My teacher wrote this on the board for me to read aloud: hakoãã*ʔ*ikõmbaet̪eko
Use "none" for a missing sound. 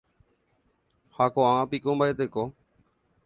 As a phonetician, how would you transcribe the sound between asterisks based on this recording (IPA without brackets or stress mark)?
p